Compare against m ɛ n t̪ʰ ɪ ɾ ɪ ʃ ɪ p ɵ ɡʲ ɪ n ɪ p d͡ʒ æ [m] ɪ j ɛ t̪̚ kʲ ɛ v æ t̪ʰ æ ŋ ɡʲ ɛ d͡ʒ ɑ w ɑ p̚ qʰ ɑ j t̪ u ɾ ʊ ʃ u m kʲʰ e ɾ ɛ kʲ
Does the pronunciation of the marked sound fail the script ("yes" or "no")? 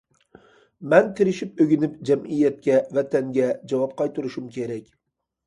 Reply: no